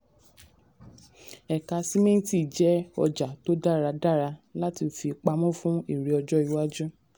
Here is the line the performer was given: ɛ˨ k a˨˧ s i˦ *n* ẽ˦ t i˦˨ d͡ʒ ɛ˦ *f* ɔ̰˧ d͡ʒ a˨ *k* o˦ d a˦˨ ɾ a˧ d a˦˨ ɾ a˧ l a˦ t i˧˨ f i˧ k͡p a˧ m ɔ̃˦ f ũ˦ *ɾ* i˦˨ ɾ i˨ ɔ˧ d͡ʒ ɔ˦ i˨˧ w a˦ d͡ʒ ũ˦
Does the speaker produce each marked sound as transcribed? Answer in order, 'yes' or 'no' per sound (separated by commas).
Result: no, no, no, no